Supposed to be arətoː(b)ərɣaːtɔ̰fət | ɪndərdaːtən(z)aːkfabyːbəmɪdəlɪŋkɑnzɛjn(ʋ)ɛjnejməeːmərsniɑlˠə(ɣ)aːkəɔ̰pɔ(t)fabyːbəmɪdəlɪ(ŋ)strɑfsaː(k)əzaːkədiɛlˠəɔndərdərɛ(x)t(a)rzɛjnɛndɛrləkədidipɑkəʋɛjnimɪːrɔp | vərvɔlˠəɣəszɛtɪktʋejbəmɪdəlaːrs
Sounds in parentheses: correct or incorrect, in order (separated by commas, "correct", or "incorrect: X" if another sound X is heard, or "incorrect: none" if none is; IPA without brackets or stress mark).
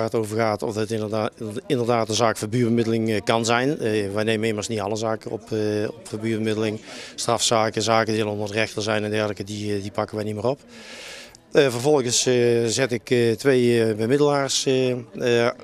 incorrect: v, correct, correct, incorrect: z, incorrect: p, correct, correct, correct, incorrect: ə